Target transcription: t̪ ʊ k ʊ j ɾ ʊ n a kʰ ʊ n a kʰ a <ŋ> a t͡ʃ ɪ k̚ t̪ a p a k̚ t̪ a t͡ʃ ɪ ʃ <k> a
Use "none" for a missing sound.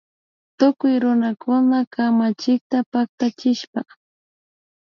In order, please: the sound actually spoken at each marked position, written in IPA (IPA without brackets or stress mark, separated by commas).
m, p